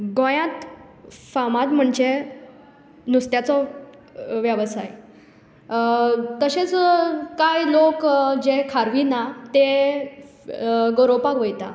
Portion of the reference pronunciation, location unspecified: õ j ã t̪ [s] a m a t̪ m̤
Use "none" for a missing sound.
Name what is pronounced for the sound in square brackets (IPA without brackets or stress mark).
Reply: f